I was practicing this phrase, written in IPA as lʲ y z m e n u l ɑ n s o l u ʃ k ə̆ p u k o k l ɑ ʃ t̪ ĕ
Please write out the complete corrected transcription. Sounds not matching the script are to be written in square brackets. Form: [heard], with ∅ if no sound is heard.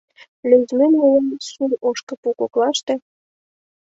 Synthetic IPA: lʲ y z m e n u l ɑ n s [u] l [o] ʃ k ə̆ p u k o k l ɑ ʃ t̪ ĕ